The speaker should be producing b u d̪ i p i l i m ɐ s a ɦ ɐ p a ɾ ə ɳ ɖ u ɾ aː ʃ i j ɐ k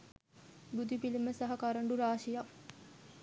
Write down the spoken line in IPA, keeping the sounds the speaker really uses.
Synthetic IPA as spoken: b u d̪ i p i l i m ə s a ɦ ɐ k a ɾ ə ɳ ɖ u ɾ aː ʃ i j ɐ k